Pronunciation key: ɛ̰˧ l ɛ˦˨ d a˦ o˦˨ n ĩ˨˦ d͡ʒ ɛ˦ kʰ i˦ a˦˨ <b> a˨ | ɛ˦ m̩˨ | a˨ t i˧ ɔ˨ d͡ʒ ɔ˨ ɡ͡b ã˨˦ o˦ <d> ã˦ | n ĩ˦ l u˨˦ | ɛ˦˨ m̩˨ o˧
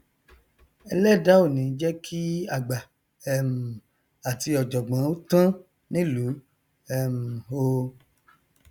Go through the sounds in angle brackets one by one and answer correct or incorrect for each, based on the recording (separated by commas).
incorrect, incorrect